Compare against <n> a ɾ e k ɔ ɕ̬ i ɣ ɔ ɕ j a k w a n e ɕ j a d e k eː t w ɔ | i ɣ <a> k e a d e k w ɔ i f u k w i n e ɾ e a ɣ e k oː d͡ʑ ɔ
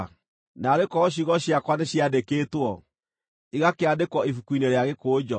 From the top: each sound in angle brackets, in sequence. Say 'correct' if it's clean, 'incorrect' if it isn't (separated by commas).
correct, correct